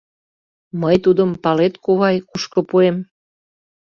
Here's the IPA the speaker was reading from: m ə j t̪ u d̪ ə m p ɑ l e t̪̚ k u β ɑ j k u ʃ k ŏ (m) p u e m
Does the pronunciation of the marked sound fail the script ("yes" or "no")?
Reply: yes